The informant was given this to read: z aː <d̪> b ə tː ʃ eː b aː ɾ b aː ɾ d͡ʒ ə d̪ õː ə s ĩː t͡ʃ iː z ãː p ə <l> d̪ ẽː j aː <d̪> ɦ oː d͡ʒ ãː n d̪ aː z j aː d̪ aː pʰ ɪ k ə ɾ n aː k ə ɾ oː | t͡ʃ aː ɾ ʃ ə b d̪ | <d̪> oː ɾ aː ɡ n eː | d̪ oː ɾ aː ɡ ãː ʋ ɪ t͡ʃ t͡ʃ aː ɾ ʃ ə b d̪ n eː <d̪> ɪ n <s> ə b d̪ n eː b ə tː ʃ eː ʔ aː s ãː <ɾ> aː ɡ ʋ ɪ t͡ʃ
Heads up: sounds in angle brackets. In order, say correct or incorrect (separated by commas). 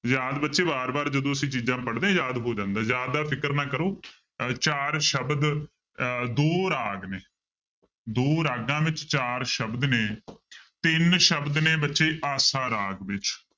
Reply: correct, incorrect, correct, correct, incorrect, incorrect, correct